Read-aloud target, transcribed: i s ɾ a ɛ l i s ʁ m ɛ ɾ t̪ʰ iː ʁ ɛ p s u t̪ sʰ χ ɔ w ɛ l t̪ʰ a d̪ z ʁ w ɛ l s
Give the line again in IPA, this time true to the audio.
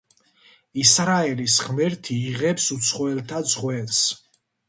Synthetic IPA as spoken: i s ɾ a ɛ l i s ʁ m ɛ ɾ t̪ʰ iː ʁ ɛ p s u t̪ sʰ χ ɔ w ɛ l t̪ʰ a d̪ z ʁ w ɛ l s